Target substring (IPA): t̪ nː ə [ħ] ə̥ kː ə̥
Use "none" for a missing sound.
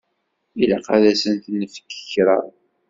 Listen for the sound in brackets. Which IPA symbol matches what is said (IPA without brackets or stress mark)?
f